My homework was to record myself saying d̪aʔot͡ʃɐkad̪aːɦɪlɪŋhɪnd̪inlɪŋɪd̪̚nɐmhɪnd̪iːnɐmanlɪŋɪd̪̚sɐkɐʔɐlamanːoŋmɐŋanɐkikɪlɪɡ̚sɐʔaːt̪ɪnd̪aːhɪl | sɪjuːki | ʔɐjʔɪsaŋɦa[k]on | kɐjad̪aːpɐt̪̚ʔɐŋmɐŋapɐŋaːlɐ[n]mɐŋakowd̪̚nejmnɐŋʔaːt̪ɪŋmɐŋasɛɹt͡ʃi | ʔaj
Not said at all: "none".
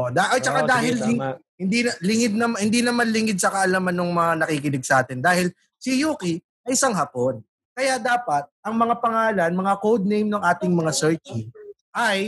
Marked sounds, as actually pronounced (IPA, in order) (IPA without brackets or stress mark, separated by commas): p, n